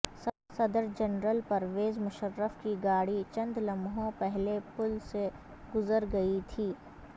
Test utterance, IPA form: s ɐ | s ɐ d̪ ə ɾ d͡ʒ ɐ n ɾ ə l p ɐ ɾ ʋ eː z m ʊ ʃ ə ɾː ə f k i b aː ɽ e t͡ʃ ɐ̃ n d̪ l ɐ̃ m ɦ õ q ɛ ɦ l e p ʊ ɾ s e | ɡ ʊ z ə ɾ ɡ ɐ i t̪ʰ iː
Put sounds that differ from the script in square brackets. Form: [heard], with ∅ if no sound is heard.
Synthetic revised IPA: s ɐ | s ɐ d̪ ə ɾ d͡ʒ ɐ n ɾ ə l p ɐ ɾ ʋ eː z m ʊ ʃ ə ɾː ə f k i [ɡ] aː ɽ [i] t͡ʃ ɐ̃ n d̪ l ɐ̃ m ɦ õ [p] ɛ ɦ l e p ʊ [l] s e | ɡ ʊ z ə ɾ ɡ ɐ i t̪ʰ iː